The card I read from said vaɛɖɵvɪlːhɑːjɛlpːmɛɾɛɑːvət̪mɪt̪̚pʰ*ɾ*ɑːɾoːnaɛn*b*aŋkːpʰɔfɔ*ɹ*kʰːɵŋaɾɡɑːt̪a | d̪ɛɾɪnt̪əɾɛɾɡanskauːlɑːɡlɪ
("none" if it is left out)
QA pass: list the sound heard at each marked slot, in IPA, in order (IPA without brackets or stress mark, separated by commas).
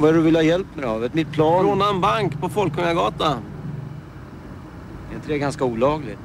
l, b, l